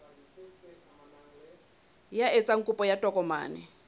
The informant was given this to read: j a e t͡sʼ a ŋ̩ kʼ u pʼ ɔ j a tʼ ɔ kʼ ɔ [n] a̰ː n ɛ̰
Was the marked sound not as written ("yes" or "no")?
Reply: yes